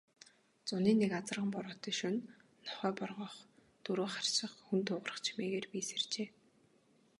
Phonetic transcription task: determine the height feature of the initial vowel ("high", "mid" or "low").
high